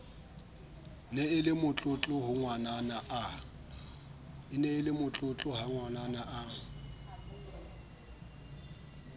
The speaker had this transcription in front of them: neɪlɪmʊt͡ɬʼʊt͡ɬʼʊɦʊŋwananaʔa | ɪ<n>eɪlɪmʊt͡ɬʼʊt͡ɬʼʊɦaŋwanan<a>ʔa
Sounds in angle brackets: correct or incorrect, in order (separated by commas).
correct, correct